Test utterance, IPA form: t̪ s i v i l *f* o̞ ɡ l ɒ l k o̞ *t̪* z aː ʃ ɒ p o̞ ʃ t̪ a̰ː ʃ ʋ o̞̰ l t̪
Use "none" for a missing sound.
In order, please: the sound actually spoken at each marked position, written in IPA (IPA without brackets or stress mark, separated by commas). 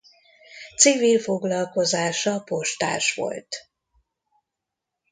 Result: f, none